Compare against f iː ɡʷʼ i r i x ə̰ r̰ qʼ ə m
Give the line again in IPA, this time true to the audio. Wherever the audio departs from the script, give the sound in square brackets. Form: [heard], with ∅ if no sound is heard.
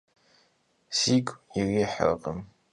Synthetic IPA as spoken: [s] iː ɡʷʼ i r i [ħ] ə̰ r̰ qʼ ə m